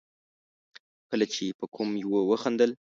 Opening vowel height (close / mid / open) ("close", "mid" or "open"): mid